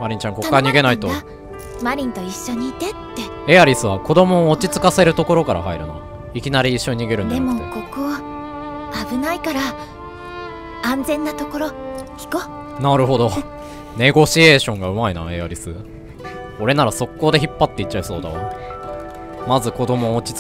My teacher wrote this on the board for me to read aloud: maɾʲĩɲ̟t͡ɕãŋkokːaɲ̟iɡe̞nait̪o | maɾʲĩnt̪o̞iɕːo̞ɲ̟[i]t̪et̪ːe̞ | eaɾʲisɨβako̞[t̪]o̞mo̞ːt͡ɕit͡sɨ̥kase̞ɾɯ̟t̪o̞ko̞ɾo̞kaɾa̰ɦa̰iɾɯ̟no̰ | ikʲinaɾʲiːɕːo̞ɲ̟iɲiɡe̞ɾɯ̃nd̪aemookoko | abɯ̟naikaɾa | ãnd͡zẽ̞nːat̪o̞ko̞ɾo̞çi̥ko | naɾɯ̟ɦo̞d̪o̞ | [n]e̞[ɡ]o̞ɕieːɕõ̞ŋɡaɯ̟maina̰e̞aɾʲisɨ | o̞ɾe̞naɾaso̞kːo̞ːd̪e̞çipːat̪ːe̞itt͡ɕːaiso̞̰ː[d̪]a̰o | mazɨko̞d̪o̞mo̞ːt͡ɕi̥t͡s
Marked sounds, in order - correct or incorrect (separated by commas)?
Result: incorrect, incorrect, correct, correct, correct